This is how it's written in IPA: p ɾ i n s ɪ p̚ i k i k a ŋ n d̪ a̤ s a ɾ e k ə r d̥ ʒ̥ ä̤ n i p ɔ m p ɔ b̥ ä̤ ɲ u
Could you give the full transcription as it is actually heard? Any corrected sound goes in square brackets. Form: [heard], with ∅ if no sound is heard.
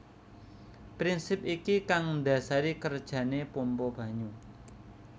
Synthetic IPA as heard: p ɾ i n s ɪ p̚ i k i k a ŋ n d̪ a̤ s a ɾ [i] k ə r d̥ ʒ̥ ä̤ n [e] p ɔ m p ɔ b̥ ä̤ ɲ u

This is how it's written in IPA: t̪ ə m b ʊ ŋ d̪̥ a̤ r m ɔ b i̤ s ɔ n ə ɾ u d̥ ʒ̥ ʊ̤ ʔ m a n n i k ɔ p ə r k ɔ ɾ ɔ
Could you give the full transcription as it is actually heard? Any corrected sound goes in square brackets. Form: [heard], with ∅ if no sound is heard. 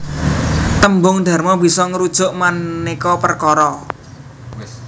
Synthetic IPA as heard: t̪ ə m b ʊ ŋ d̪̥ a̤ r m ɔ b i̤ s ɔ [ŋ] ə ɾ u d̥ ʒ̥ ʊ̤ ʔ m a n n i k ɔ p ə r k ɔ ɾ ɔ

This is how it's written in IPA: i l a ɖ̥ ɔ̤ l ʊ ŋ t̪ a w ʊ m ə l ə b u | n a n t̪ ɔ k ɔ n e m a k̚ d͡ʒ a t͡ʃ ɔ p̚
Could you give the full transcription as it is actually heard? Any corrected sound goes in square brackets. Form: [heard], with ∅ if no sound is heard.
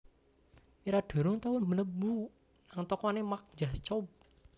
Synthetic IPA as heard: i [ɾ] a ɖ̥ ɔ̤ [ɾ] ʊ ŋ t̪ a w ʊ m ə l ə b u | n a [ŋ] t̪ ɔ k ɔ n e m a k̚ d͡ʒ a t͡ʃ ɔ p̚

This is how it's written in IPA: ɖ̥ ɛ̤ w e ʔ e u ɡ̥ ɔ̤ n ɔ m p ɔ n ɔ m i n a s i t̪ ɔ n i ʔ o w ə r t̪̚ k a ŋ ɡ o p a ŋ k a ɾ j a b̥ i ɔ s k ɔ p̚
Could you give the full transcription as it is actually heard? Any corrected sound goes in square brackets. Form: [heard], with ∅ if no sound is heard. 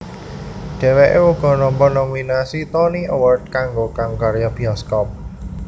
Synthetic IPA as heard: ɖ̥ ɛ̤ w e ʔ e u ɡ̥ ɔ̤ n ɔ m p ɔ n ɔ m i n a s i t̪ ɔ n i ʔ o w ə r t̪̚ k a ŋ ɡ o [k] a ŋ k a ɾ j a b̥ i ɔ s k ɔ p̚

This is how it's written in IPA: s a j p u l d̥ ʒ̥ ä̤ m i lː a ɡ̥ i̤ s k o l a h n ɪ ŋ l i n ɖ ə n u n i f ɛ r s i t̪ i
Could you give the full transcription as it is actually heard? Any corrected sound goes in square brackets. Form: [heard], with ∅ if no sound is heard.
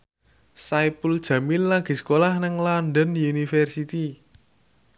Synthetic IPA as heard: s a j p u l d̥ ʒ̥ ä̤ m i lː a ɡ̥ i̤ s k o l a h n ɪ ŋ l [a] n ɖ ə n u n i f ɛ r s i t̪ i

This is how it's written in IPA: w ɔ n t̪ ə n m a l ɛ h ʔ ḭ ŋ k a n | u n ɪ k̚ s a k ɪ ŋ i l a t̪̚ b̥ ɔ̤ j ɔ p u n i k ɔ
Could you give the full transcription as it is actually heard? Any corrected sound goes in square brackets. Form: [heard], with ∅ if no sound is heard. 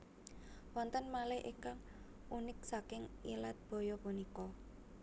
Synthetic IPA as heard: w ɔ n t̪ ə n m a l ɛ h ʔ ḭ ŋ k a [ŋ] | u n ɪ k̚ s a k ɪ ŋ i l a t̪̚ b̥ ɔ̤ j ɔ p u n i k ɔ

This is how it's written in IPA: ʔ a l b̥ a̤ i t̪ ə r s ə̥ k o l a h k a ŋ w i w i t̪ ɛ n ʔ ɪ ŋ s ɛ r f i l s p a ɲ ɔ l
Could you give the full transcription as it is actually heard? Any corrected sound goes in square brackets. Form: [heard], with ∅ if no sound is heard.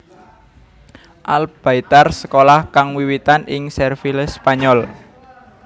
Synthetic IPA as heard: ʔ a l b̥ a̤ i t̪ [a] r s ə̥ k o l a h k a ŋ w i w i t̪ [a] n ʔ ɪ ŋ s ɛ r f i l s p a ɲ ɔ l

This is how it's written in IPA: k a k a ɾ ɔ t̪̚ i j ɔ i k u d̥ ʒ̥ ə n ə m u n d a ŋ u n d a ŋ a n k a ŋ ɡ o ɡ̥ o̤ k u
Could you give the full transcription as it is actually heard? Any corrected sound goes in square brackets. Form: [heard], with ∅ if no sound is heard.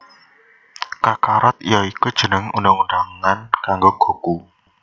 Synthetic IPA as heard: k a k a ɾ ɔ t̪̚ i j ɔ i k u d̥ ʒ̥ ə n ə [ŋ] u n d a ŋ u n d a ŋ a n k a ŋ ɡ o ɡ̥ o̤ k u

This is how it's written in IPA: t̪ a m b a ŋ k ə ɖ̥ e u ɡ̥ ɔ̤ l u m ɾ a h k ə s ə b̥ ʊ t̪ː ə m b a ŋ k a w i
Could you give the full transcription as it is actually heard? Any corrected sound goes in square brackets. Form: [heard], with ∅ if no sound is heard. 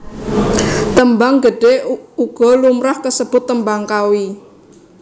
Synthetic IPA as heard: t̪ [ə] m b a ŋ [ɡ] ə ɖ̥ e u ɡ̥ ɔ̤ l u m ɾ a h k ə s ə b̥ ʊ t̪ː ə m b a ŋ k a w i

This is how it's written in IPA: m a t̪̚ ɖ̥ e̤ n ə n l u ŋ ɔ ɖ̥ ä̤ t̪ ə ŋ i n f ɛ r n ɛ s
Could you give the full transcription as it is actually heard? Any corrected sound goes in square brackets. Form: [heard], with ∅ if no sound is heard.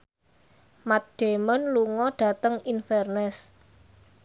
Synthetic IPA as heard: m a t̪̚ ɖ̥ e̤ [m] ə n l u ŋ ɔ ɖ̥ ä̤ t̪ ə ŋ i n f ɛ r n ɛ s

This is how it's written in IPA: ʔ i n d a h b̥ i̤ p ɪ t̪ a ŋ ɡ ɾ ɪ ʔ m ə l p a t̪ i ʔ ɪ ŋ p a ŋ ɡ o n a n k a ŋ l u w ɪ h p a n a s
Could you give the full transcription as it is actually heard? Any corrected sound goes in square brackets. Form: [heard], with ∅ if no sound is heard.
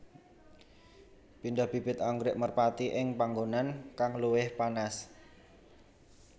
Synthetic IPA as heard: [p] i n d a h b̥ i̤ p ɪ t̪ a ŋ ɡ ɾ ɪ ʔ m ə [r] p a t̪ i ʔ ɪ ŋ p a ŋ ɡ o n a n k a ŋ l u w ɪ h p a n a s

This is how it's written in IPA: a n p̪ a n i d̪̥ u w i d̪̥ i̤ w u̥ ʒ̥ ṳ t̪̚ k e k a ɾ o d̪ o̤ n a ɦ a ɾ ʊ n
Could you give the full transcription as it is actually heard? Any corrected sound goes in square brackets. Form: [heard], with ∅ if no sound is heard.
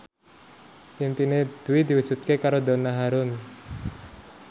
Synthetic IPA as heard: [i] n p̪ [i] n [e] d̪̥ u w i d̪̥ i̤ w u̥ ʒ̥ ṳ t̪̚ k e k a ɾ o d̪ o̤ n a ɦ a ɾ ʊ n

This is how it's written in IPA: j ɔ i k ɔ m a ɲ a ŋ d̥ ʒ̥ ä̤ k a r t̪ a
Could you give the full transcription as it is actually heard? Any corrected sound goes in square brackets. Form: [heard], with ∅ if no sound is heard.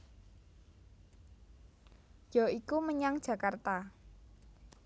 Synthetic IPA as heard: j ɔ i k [u] m [ə] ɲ a ŋ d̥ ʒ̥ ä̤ k a r t̪ a

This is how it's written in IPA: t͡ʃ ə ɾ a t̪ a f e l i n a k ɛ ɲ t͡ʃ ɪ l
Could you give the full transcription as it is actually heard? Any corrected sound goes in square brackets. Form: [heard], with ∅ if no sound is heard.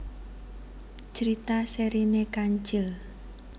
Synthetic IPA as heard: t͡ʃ ə ɾ [i] t̪ a [s] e [ɾ] i n [e] k [a] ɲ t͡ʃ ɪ l

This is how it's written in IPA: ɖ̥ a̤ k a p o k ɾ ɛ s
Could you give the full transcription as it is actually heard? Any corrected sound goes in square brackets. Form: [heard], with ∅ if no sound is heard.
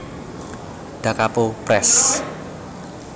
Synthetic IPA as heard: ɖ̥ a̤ k a p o [p] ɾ ɛ s

